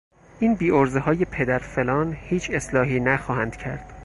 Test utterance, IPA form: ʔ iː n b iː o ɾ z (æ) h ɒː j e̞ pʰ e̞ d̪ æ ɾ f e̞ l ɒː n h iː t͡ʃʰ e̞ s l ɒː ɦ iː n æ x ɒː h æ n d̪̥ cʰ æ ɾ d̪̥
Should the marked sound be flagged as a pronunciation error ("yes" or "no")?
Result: yes